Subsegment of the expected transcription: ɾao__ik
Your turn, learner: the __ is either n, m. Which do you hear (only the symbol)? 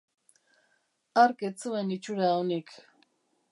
n